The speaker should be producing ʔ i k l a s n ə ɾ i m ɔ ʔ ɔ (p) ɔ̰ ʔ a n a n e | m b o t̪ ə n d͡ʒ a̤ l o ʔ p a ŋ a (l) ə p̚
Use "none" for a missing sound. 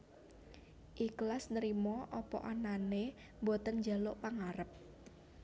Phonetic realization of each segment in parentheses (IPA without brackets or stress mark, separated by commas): p, ɾ